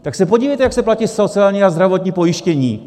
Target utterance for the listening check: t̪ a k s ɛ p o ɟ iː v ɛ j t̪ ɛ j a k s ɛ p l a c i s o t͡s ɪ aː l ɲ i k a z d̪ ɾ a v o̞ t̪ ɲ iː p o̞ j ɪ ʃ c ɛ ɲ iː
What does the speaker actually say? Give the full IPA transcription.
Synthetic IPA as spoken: t̪ a k s ɛ p o ɟ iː v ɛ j t̪ ɛ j a k s ɛ p l a c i s o t͡s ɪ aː l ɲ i a z d̪ ɾ a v o̞ t̪ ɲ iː p o̞ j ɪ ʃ c ɛ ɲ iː